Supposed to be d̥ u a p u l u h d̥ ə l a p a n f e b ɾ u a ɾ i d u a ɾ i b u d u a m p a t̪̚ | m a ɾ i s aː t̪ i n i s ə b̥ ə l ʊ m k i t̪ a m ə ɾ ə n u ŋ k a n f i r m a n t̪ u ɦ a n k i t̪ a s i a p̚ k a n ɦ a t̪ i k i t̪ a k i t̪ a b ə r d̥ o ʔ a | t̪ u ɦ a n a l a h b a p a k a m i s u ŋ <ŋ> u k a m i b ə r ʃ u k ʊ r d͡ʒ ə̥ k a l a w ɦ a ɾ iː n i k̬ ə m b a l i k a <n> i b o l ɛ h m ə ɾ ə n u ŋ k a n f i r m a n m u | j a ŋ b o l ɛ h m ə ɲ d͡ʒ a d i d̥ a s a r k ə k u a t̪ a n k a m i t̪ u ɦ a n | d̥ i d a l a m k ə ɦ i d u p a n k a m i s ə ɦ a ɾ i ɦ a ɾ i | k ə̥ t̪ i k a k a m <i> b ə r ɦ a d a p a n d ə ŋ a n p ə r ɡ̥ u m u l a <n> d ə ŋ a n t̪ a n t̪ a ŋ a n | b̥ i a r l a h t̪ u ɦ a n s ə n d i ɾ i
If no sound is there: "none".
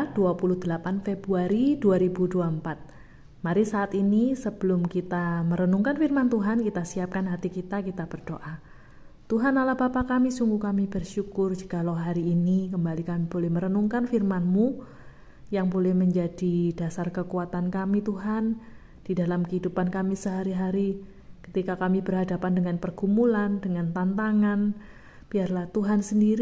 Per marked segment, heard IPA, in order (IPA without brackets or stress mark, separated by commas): ɡ, m, i, n